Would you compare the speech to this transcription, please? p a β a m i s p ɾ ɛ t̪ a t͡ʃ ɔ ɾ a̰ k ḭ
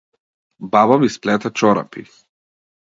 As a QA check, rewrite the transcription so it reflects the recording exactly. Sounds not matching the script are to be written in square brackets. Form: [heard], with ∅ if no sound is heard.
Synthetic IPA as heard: [b] a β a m i s p [l] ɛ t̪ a t͡ʃ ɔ ɾ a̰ [p] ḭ